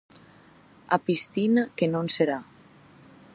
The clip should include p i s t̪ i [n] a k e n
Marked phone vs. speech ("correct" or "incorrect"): correct